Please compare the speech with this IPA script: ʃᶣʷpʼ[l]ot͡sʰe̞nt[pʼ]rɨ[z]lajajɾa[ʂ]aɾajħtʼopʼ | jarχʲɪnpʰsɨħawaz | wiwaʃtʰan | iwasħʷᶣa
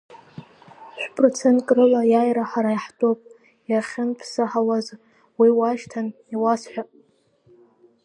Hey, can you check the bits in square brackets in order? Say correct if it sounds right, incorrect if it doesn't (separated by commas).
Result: incorrect, incorrect, incorrect, incorrect